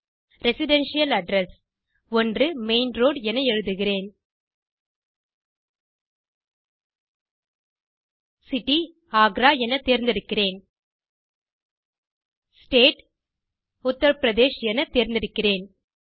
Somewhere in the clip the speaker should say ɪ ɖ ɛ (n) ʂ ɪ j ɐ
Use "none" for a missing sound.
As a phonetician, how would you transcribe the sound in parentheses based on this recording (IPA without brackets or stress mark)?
n